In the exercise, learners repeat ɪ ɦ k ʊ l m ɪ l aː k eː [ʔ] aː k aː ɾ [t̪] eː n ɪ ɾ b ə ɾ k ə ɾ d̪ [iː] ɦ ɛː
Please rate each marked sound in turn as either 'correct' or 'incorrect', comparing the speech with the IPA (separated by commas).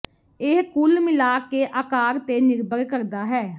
correct, correct, incorrect